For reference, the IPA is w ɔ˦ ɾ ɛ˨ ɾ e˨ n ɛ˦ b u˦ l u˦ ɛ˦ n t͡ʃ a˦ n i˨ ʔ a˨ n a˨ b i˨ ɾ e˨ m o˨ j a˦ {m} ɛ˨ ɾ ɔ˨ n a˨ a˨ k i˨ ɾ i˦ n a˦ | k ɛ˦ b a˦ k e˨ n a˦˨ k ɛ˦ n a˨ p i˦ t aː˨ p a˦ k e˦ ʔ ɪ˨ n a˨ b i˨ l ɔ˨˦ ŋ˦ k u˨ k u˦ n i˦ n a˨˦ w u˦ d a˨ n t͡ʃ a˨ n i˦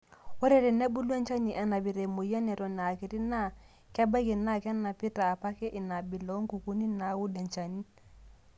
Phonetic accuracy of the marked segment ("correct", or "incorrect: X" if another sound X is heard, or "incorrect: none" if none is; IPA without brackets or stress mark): incorrect: n